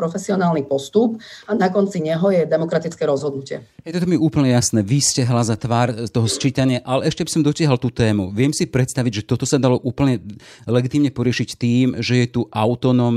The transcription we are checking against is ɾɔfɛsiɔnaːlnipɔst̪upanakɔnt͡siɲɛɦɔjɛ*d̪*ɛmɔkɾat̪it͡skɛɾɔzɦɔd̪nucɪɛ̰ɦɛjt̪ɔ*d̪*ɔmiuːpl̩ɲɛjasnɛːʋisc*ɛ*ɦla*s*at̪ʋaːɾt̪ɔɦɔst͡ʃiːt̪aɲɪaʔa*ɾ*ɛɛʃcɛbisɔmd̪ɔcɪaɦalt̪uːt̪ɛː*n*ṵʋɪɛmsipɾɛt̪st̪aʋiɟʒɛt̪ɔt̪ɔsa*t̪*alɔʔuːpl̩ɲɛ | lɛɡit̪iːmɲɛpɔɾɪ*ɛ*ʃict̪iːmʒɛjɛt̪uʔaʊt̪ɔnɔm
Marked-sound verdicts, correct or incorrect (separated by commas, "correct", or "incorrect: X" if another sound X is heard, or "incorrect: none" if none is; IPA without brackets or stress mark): correct, incorrect: t̪, correct, incorrect: z, incorrect: l, incorrect: m, incorrect: d̪, correct